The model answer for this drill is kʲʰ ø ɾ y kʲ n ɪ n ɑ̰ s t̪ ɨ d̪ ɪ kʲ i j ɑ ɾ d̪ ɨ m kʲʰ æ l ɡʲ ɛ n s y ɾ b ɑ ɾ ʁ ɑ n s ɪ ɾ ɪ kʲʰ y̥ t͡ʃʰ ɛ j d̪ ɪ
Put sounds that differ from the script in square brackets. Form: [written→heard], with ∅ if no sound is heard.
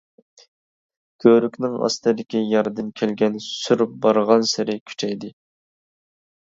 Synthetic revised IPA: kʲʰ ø ɾ y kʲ n ɪ [n→ŋ] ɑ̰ s t̪ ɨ d̪ ɪ kʲ i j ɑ ɾ d̪ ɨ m kʲʰ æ l ɡʲ ɛ n s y ɾ b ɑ ɾ ʁ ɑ n s ɪ ɾ ɪ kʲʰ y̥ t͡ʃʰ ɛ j d̪ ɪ